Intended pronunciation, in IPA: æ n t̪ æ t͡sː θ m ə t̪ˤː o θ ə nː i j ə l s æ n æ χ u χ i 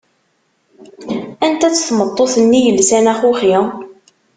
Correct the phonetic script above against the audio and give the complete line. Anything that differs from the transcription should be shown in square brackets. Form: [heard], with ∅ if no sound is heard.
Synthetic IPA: æ n t̪ æ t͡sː θ m ə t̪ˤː o θ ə nː i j ə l s æ n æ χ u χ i